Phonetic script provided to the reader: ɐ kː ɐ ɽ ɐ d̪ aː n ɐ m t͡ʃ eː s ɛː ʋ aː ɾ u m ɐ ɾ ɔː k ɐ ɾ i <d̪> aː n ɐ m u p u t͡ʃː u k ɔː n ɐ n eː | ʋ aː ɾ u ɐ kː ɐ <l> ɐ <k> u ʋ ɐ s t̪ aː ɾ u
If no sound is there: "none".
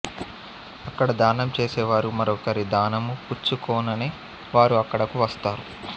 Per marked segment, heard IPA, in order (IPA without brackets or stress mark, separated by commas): d̪, ɽ, k